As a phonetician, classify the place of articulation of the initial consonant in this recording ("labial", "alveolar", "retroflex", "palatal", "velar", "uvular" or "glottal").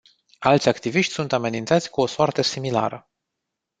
alveolar